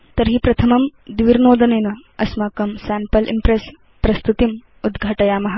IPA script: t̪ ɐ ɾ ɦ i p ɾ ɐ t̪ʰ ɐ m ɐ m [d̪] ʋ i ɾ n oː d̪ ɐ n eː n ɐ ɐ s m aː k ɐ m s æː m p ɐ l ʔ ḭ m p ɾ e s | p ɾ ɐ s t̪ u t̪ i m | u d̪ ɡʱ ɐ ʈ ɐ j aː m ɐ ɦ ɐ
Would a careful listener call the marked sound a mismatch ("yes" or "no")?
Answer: no